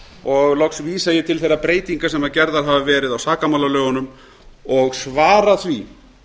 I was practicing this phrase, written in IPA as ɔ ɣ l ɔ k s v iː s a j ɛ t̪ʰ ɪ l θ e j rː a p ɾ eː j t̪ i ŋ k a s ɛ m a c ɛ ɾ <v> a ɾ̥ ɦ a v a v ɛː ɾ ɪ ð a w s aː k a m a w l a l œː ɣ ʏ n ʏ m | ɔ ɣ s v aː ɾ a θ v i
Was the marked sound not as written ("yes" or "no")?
yes